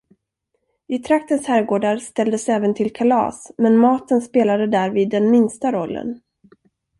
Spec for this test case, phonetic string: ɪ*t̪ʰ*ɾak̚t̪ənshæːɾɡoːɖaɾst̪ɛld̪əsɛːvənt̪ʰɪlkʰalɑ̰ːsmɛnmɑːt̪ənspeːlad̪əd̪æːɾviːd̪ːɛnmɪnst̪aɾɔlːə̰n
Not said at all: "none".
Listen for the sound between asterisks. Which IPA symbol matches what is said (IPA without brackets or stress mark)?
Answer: t̪ʰ